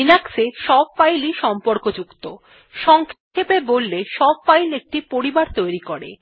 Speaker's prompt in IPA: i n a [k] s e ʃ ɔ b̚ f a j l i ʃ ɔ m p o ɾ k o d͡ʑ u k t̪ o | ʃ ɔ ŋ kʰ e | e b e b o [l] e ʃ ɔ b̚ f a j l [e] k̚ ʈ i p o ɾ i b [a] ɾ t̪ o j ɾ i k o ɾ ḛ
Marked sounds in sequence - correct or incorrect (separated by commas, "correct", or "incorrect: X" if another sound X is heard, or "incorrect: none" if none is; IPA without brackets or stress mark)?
correct, incorrect: lː, correct, correct